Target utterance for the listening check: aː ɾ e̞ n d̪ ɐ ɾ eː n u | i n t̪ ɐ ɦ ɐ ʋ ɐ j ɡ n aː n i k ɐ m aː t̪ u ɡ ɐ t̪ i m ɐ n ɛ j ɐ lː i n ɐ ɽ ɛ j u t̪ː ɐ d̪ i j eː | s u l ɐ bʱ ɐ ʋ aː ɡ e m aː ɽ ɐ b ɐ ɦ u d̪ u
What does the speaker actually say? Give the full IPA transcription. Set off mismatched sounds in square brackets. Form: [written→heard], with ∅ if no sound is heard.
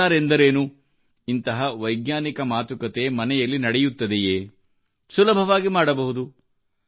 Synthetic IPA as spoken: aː ɾ e̞ n d̪ ɐ ɾ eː n u | i n t̪ ɐ ɦ ɐ ʋ ɐ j ɡ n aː n i k ɐ m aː t̪ u [ɡ→k] ɐ t̪ [i→e] m ɐ n ɛ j ɐ lː i n ɐ ɽ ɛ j u t̪ː ɐ d̪ [i→e] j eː | s u l ɐ bʱ ɐ ʋ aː ɡ [e→i] m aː ɽ ɐ b ɐ ɦ u d̪ u